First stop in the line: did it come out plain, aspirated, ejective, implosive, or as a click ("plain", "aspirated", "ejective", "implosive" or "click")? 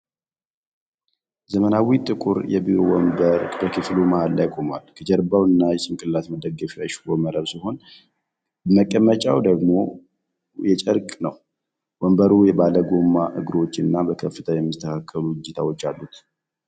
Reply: ejective